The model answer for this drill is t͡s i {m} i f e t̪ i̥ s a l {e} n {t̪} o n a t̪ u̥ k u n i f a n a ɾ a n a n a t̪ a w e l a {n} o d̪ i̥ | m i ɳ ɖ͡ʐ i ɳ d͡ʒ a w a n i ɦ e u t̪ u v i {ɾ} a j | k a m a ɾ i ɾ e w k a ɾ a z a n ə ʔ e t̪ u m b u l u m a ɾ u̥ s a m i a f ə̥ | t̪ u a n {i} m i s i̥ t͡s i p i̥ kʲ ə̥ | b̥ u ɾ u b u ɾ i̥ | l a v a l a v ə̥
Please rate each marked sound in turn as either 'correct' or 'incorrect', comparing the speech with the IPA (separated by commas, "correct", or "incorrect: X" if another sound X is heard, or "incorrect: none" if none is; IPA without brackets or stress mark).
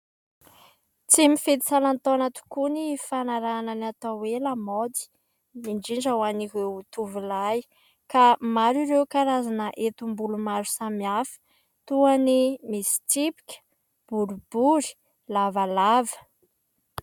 correct, incorrect: a, correct, incorrect: m, incorrect: l, correct